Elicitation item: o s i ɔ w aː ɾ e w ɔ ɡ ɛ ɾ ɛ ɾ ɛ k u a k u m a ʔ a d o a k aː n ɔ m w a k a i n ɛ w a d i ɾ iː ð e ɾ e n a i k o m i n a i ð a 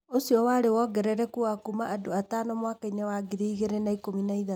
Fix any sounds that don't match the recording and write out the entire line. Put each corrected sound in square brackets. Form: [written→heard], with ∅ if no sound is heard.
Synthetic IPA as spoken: o s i ɔ w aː ɾ e w ɔ ɡ ɛ ɾ ɛ ɾ ɛ k u a k u m a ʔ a d o a [k→t] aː n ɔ m w a k a i n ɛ w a [d→ɡ] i ɾ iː [ð→ɣ] e ɾ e n a i k o m i n a i ð a